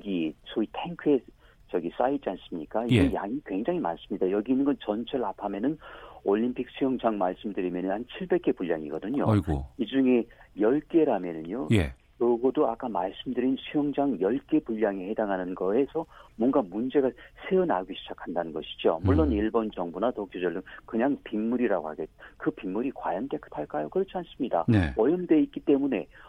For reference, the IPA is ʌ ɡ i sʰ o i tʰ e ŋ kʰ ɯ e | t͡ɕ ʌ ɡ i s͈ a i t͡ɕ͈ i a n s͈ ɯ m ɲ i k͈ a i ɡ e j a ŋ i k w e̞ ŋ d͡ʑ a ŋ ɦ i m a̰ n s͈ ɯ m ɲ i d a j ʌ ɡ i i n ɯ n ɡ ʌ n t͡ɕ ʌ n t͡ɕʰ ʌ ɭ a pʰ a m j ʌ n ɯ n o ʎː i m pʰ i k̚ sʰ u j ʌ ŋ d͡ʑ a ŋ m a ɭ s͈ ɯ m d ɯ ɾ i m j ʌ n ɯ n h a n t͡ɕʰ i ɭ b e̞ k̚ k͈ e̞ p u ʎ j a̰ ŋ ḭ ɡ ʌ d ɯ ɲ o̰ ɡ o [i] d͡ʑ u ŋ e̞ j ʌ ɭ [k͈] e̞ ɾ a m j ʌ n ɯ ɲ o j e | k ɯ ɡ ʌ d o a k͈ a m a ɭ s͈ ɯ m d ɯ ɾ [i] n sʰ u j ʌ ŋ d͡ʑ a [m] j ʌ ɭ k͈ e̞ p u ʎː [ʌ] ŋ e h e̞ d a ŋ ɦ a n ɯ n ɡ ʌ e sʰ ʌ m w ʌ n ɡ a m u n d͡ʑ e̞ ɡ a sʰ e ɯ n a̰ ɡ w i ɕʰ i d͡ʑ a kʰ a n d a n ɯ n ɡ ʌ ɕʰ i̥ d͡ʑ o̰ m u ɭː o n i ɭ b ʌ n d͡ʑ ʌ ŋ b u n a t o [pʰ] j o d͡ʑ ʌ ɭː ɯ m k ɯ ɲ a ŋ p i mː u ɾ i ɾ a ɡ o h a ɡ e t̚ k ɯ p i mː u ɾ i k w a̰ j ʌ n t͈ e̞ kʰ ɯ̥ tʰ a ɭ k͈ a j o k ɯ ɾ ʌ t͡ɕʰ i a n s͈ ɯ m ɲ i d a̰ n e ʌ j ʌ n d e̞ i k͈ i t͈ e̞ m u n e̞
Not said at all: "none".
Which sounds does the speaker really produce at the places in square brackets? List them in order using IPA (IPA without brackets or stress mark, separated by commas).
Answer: i, k͈, i, ŋ, a, kʰ